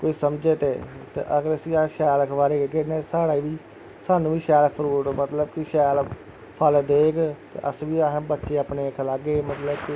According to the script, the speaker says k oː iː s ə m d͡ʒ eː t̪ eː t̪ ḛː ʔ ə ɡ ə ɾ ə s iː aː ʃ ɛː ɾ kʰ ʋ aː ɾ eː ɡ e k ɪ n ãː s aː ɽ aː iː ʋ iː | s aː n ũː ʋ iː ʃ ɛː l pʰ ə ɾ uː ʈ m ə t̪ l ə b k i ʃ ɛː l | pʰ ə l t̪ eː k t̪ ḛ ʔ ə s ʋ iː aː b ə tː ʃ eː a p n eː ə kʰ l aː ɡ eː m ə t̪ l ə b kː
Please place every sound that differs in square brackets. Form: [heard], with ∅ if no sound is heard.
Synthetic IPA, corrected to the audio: k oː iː s ə m d͡ʒ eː t̪ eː t̪ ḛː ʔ ə ɡ ə ɾ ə s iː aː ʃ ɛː [l] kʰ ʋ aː ɾ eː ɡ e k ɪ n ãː s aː ɽ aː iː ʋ iː | s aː n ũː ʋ iː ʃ ɛː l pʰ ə ɾ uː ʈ m ə t̪ l ə b k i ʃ ɛː l | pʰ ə l [d̪] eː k t̪ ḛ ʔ ə s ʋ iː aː b ə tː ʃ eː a p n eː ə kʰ l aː ɡ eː m ə t̪ l ə b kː